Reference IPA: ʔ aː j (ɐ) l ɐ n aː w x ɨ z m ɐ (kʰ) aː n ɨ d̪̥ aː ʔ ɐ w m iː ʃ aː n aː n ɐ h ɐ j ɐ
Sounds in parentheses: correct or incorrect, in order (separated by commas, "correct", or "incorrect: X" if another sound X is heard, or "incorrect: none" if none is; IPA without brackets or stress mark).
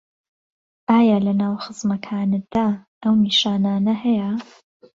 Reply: incorrect: a, correct